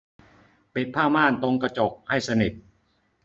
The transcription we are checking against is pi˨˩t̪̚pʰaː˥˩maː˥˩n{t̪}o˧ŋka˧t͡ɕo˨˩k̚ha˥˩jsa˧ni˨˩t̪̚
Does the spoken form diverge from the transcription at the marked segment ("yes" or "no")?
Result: no